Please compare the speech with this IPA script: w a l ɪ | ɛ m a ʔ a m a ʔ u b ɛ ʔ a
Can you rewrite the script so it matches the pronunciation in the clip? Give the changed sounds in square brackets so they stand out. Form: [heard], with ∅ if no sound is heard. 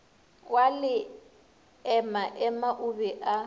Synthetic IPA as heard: w a l ɪ | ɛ m a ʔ [ɛ] m a ʔ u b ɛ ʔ a